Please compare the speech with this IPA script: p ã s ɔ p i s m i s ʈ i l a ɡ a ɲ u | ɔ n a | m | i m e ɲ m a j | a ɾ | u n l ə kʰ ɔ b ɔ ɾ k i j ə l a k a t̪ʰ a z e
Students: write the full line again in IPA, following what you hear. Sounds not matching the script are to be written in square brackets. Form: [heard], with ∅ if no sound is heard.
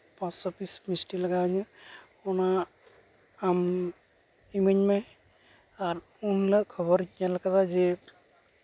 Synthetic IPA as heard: p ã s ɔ p i s m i s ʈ i l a ɡ a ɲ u | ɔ n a | m | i m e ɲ m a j | a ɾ | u n l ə kʰ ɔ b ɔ ɾ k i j [a] l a k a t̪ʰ a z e